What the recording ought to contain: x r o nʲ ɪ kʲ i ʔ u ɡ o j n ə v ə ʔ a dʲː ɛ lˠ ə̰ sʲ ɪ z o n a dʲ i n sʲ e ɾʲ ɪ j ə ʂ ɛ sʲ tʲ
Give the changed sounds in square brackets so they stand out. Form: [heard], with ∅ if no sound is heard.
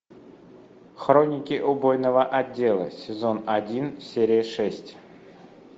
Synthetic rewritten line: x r o nʲ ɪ kʲ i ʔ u [b] o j n ə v ə ʔ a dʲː [e] lˠ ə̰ sʲ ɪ z o n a dʲ i n sʲ e ɾʲ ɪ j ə ʂ ɛ sʲ tʲ